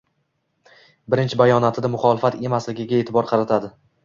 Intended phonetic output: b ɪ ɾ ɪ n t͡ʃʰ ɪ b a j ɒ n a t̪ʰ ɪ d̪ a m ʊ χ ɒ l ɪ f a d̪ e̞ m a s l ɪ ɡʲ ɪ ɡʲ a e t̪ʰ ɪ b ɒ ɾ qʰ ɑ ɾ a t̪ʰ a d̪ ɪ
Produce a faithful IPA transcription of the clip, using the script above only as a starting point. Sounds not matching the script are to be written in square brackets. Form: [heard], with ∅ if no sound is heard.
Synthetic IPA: b ɪ ɾ ɪ n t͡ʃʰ ɪ b a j ɒ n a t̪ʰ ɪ d̪ a m ʊ χ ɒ l ɪ f a [t̪] e̞ m a s l ɪ ɡʲ ɪ ɡʲ a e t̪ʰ ɪ b ɒ ɾ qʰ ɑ ɾ a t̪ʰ a d̪ ɪ